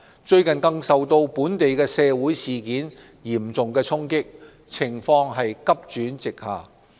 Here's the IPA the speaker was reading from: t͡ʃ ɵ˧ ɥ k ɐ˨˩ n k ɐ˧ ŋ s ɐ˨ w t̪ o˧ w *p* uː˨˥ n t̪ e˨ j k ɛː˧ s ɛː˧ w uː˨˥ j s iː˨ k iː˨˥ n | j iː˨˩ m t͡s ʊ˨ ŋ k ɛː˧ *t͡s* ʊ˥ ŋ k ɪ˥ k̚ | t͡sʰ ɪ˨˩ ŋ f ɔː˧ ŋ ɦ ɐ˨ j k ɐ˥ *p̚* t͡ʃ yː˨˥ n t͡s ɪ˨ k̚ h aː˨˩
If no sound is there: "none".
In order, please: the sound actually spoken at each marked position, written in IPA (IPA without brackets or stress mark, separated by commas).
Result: p, t͡sʰ, p̚